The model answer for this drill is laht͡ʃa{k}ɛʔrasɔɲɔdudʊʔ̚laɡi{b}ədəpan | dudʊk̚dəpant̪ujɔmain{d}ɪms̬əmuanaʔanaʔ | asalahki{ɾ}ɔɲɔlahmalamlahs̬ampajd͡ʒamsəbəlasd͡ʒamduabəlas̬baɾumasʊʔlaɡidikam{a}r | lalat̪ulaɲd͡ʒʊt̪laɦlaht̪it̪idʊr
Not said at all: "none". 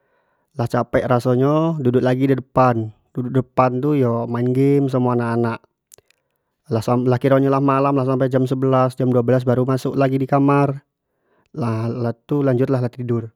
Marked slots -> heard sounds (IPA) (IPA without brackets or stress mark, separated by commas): p, d, ɡ, ɾ, a